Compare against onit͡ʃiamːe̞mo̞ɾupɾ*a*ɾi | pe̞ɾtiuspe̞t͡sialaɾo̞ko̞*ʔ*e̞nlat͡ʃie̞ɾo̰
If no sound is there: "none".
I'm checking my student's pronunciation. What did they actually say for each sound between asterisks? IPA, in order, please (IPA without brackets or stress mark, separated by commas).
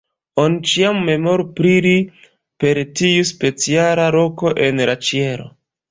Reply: i, ʔ